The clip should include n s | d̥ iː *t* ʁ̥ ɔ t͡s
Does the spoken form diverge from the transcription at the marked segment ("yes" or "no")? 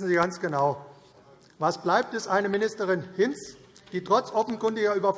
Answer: no